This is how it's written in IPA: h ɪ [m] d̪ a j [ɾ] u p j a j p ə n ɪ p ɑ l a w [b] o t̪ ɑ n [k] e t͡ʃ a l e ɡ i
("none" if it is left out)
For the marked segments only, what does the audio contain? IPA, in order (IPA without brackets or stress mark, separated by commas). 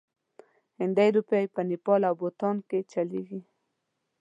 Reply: n, ɾ, b, k